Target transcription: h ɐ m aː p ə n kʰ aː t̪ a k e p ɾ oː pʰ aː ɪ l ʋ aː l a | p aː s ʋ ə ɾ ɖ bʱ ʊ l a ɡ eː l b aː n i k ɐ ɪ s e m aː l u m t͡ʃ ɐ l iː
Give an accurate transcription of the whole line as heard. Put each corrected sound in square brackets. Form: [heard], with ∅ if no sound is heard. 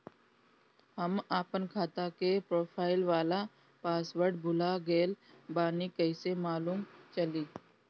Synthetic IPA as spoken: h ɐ m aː p ə n kʰ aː t̪ a k e p ɾ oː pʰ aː ɪ l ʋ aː l a | p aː s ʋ ə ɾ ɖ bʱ ʊ l a ɡ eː l b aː n i k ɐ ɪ s e m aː l [uː] m t͡ʃ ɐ l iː